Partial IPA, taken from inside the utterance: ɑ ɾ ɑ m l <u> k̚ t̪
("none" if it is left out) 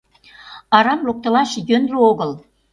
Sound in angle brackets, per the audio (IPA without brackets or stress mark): o